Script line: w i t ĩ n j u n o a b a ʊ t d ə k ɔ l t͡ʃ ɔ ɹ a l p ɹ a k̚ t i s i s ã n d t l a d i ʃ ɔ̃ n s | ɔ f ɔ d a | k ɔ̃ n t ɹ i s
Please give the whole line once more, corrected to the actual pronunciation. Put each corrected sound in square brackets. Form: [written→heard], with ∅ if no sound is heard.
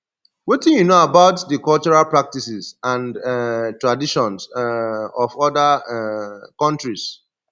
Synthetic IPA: w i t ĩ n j u n o a b a ʊ t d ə k ɔ l t͡ʃ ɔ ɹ a l p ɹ a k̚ t i s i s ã n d t [l→ɹ] a d i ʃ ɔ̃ n s | ɔ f ɔ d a | k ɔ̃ n t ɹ i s

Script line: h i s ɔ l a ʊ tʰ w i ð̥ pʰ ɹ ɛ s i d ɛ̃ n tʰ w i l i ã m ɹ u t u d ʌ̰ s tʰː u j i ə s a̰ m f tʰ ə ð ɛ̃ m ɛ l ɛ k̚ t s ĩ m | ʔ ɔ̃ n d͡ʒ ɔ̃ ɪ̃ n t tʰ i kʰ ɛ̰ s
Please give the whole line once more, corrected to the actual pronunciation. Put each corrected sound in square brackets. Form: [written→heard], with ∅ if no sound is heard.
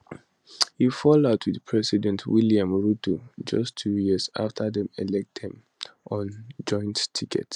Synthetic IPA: h i [s→f] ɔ l a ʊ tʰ w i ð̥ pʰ ɹ ɛ s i d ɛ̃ n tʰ w i l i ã m ɹ u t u [d→d͡ʒ] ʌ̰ s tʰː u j i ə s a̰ [m→∅] f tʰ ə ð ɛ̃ m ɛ l ɛ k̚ t [s→h] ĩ m | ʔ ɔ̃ n d͡ʒ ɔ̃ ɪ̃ n t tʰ i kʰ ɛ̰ [s→t]

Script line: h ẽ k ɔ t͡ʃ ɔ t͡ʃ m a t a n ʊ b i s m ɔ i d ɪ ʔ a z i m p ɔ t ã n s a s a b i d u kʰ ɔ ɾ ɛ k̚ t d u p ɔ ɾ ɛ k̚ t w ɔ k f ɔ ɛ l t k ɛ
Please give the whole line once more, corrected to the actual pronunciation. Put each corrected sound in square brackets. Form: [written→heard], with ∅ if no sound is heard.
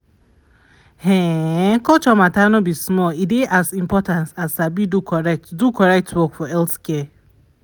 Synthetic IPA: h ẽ k ɔ t͡ʃ ɔ [t͡ʃ→∅] m a t a n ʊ b i s m ɔ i d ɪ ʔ a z i m p ɔ t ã n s a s a b i d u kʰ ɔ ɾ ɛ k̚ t d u [p→k] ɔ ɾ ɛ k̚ t w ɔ k f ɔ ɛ l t k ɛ

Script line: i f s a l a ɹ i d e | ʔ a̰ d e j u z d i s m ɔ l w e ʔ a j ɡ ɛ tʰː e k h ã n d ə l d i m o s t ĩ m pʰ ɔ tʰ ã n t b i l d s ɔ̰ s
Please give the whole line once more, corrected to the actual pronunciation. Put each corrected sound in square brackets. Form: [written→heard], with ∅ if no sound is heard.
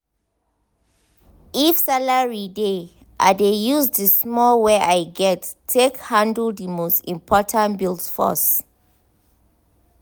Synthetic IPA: i f s a l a ɹ i d e | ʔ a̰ d e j u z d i s m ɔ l w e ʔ a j ɡ ɛ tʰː e k h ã n d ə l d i m o s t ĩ m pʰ ɔ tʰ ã n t b i l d [s→f] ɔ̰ s

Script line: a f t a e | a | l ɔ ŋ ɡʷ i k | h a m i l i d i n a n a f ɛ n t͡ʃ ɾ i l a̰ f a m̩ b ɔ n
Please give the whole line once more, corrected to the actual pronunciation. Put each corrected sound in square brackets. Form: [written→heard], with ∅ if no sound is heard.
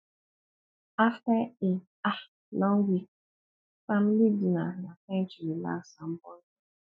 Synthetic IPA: a f t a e | a | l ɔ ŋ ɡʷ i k | [h→f] a m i l i d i n a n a f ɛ n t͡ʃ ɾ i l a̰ [f→s] a m̩ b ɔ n

